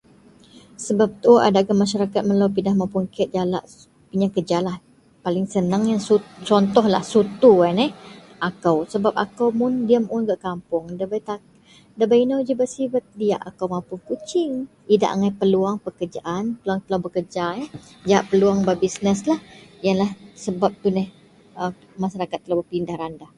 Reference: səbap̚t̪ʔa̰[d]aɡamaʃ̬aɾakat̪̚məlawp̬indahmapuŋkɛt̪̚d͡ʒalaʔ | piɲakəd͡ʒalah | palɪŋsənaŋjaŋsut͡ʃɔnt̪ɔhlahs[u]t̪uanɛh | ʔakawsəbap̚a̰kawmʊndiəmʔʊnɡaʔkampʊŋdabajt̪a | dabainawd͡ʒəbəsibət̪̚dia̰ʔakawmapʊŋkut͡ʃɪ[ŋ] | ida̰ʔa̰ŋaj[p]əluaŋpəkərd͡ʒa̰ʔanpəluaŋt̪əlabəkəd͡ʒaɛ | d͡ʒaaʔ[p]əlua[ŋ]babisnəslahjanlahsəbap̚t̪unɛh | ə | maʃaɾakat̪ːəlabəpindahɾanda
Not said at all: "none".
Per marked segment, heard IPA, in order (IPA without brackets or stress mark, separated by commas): d, u, ŋ, p, p, ŋ